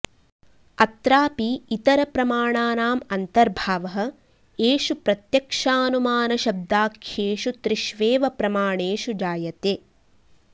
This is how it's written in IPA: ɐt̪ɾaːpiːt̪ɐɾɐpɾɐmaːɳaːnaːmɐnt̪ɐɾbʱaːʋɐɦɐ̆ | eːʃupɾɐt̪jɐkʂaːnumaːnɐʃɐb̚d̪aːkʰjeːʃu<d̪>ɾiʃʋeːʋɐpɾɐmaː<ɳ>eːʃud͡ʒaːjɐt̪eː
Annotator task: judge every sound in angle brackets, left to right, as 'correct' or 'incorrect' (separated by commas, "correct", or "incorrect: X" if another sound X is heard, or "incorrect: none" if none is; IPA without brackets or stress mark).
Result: incorrect: t̪, correct